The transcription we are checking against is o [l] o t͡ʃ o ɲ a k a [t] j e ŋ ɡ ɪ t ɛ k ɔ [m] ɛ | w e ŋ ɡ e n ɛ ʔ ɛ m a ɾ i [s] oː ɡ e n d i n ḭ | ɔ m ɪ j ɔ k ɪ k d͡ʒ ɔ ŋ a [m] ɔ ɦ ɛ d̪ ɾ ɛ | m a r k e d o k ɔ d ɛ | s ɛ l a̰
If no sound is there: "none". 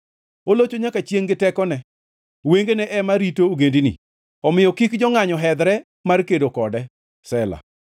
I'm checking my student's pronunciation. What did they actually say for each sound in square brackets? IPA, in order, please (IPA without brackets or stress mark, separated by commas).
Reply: l, t͡ʃ, n, t, ɲ